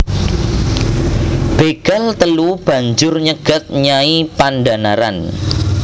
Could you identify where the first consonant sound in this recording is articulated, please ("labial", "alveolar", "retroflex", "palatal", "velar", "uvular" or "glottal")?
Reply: labial